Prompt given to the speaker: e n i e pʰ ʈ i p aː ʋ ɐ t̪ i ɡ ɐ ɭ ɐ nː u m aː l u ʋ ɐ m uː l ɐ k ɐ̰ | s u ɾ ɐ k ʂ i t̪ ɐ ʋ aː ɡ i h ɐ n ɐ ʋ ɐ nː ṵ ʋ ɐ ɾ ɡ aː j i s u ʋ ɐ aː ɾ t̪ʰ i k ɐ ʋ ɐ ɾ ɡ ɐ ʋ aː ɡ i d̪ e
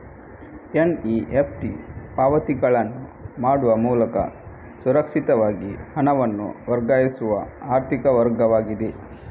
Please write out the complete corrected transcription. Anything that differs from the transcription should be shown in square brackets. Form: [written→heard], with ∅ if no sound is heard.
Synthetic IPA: e n i e pʰ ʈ i p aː ʋ ɐ t̪ i ɡ ɐ ɭ ɐ nː u m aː [l→ɽ] u ʋ ɐ m uː l ɐ k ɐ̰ | s u ɾ ɐ k ʂ i t̪ ɐ ʋ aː ɡ i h ɐ n ɐ ʋ ɐ nː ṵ ʋ ɐ ɾ ɡ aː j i s u ʋ ɐ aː ɾ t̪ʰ i k ɐ ʋ ɐ ɾ ɡ ɐ ʋ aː ɡ i d̪ e